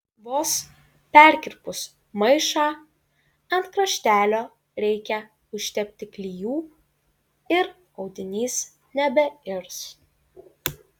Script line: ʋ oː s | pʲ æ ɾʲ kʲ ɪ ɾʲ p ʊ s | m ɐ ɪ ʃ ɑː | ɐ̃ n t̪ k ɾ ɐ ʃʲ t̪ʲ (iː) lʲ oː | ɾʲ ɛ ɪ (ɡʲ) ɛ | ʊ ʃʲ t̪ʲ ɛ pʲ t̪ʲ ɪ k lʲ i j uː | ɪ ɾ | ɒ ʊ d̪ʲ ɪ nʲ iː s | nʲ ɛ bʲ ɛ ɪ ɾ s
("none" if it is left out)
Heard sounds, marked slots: æː, kʲ

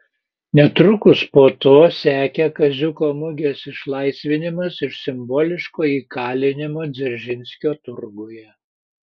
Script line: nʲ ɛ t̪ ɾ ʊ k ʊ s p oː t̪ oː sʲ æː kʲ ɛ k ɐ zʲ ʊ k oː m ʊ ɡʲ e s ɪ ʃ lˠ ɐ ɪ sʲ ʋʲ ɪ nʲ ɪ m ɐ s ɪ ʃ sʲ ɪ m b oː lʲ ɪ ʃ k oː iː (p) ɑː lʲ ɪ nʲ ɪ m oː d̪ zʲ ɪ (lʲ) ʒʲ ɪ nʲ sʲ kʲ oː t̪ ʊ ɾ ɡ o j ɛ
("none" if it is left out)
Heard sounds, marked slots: k, ɾʲ

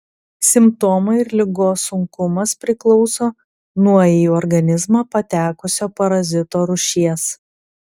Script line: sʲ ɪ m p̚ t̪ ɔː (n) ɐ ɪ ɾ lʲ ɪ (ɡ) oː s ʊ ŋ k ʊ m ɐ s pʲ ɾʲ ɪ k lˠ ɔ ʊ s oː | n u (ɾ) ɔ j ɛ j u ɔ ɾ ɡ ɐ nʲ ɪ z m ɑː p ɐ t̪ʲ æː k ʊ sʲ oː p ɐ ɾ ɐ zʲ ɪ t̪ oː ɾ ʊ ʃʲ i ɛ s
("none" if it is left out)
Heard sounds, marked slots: m, ɡ, none

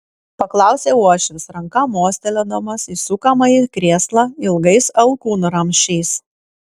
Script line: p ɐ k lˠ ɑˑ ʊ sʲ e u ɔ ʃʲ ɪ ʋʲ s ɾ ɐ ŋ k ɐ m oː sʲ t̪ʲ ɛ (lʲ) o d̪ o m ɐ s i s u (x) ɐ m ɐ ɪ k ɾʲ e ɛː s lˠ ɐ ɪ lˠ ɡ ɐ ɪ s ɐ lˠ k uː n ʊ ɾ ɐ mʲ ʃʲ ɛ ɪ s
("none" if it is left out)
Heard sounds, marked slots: lʲ, k

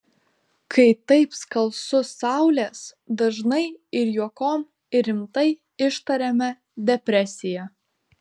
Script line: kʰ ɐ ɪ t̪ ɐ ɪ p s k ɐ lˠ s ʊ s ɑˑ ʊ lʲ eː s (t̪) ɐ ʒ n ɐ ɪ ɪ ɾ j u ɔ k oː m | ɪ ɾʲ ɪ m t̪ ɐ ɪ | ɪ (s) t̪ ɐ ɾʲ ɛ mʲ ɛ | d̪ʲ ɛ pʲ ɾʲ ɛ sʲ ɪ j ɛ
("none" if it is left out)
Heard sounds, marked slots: d̪, ʃ

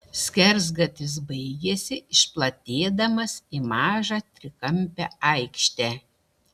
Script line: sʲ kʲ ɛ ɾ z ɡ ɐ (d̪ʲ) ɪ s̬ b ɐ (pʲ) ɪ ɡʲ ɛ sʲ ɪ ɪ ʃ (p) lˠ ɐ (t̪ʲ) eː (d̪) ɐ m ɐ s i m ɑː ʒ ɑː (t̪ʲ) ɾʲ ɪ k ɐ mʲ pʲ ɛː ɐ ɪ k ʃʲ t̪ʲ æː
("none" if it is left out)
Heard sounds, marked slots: t̪ʲ, none, p, t̪ʲ, d̪, t̪ʲ

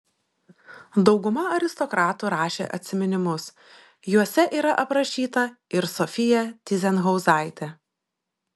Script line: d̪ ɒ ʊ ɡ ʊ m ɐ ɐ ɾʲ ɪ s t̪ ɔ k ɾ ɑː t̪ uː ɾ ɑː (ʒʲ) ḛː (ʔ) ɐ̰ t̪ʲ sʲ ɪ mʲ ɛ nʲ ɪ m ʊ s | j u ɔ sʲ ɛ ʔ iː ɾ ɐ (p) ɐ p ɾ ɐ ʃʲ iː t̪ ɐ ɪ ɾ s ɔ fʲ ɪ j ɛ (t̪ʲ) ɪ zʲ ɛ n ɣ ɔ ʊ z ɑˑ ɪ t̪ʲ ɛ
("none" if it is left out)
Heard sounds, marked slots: ʃʲ, ʔ, ʔ, t̪ʲ

